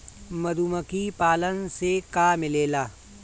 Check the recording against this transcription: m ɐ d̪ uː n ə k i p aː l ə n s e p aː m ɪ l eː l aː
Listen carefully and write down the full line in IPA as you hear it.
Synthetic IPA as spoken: m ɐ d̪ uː m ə k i p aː l ə n s e k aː m ɪ l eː l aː